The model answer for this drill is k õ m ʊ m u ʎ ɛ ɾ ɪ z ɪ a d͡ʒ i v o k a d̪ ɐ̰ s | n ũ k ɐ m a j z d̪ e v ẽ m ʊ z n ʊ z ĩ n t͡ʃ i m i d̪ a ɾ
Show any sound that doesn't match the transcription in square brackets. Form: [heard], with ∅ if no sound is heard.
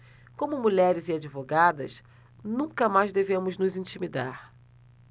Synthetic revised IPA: k õ m ʊ m u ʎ ɛ ɾ ɪ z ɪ a d͡ʒ i v o [ɡ] a d̪ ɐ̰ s | n ũ k ɐ m a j z d̪ e v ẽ m ʊ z n ʊ z ĩ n t͡ʃ i m i d̪ a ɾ

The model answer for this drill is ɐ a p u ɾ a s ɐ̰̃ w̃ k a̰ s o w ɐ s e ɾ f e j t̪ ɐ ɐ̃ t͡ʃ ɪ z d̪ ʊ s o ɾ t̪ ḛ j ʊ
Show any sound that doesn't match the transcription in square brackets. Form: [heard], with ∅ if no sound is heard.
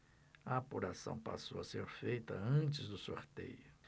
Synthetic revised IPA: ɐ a p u ɾ a s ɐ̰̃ w̃ [p] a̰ s o w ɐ s e ɾ f e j t̪ ɐ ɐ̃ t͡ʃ ɪ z d̪ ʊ s o ɾ t̪ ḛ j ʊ

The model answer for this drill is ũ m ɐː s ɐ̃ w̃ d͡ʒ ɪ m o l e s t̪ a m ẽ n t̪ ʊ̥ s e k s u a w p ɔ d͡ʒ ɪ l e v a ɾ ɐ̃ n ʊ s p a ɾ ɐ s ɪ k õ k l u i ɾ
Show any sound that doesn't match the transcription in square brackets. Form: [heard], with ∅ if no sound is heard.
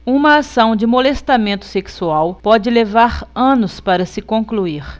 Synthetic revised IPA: ũ m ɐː s ɐ̃ w̃ d͡ʒ ɪ m o l e s t̪ a m ẽ n t̪ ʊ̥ s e k s u a w p ɔ d͡ʒ ɪ l e v a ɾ ɐ̃ n ʊ s p a ɾ ɐ s ɪ k õ k l u i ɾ

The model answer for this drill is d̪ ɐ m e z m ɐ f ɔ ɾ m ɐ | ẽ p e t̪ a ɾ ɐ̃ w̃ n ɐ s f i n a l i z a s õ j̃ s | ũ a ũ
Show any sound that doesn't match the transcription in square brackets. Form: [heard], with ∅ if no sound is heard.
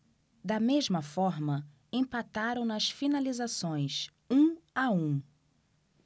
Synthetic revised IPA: d̪ ɐ m e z m ɐ f ɔ ɾ m ɐ | ẽ p [a] t̪ a ɾ ɐ̃ w̃ n ɐ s f i n a l i z a s õ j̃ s | ũ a ũ

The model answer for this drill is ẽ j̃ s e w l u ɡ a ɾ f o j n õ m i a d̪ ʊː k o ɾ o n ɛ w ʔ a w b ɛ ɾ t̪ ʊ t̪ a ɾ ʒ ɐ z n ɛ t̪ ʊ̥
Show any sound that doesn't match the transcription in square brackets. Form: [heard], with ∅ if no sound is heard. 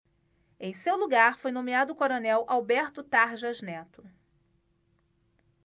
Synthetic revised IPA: ẽ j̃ s e w l u ɡ a ɾ f o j n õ m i a d̪ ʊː k o ɾ o n ɛ w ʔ a w b ɛ ɾ t̪ ʊ t̪ a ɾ ʒ ɐ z n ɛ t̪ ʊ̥

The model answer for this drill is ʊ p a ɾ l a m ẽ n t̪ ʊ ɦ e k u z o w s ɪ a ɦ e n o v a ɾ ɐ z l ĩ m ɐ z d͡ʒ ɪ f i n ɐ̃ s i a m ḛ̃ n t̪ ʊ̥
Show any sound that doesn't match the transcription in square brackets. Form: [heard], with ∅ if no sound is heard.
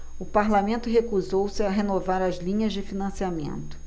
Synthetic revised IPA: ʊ p a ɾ l a m ẽ n t̪ ʊ ɦ e k u z o w s ɪ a ɦ e n o v a ɾ ɐ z l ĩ [ɲ] ɐ z d͡ʒ ɪ f i n ɐ̃ s i a m ḛ̃ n t̪ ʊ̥

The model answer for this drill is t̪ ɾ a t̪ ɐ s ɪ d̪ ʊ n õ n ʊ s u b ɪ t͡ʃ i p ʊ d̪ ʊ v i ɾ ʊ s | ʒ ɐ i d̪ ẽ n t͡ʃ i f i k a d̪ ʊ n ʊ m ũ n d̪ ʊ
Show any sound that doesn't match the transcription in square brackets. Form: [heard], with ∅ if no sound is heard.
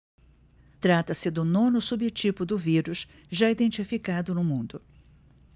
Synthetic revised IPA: t̪ ɾ a t̪ ɐ s ɪ d̪ ʊ n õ n ʊ s u b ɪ t͡ʃ i p ʊ d̪ ʊ v i ɾ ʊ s | ʒ [a] i d̪ ẽ n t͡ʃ i f i k a d̪ ʊ n ʊ m ũ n d̪ ʊ

